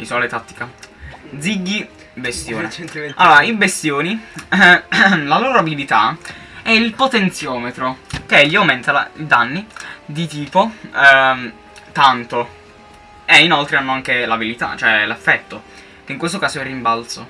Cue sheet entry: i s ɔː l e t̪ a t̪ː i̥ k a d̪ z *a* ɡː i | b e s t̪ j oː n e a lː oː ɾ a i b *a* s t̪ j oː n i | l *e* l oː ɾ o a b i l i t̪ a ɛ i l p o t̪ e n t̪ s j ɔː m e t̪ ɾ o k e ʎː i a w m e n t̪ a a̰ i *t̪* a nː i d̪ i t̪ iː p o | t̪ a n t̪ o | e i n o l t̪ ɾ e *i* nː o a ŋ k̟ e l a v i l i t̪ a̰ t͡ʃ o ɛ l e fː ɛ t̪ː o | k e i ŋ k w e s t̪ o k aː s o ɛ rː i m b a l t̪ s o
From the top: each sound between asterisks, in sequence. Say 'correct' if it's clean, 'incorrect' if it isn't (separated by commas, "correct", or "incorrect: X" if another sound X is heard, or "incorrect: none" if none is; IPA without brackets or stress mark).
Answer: incorrect: i, incorrect: e, incorrect: a, incorrect: d̪, incorrect: a